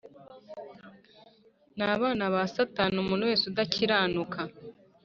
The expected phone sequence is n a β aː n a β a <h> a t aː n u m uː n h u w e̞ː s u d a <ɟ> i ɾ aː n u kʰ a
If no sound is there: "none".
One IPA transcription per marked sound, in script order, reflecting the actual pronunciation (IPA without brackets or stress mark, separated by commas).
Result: s, c